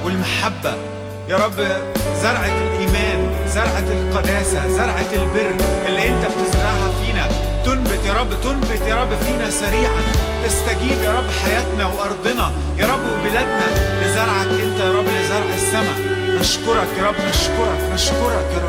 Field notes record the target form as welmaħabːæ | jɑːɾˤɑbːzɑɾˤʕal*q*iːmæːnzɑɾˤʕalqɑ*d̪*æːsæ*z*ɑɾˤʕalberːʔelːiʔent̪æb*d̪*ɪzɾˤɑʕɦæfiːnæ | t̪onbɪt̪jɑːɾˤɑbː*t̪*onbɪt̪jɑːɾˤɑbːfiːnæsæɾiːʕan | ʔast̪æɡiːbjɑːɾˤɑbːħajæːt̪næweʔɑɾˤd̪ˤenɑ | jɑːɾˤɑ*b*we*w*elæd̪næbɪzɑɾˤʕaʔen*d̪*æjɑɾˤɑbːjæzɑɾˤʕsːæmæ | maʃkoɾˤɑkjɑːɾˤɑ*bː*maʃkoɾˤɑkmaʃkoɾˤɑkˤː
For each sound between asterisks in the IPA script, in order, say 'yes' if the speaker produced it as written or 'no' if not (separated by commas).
no, yes, yes, no, yes, no, no, no, yes